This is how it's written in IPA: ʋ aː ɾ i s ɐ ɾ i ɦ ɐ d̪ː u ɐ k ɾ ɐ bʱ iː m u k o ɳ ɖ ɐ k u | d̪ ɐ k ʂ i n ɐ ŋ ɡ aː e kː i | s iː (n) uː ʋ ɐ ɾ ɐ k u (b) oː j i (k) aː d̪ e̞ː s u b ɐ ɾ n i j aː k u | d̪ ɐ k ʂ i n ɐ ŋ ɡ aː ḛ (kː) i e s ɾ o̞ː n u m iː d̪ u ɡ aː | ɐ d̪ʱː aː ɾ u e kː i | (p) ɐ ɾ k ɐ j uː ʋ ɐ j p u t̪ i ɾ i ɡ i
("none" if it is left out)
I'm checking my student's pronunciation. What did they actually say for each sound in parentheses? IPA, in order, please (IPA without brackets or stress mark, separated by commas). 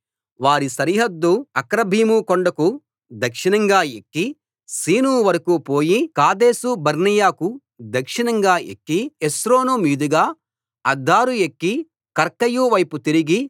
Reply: n, p, k, kː, k